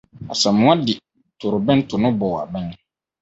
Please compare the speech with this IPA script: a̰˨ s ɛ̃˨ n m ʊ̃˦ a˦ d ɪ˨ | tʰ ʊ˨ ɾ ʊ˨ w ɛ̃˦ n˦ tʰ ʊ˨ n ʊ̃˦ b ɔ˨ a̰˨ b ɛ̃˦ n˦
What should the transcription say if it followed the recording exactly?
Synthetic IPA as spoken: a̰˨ s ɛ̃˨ m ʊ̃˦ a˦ d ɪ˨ | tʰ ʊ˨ ɾ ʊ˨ b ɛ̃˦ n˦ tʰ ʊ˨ n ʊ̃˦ b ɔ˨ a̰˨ b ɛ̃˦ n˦